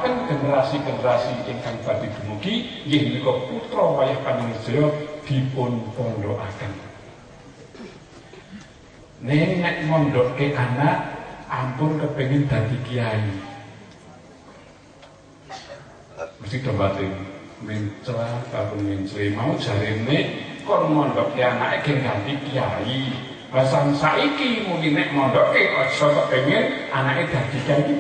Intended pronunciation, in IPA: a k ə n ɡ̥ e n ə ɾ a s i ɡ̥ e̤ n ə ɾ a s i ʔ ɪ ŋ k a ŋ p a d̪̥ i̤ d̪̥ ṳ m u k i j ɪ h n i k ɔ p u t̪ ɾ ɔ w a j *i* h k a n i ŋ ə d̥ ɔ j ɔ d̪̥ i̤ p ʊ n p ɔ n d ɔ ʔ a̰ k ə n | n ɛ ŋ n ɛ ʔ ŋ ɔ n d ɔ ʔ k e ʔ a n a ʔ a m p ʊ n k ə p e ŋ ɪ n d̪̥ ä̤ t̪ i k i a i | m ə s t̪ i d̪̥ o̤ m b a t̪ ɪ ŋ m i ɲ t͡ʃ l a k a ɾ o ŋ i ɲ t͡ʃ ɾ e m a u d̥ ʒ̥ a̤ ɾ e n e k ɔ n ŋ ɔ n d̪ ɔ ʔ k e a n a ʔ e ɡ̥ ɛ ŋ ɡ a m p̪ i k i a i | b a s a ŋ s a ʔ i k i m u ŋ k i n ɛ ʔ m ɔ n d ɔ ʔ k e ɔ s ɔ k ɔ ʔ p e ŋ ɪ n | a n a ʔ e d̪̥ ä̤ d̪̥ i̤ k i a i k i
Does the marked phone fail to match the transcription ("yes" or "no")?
yes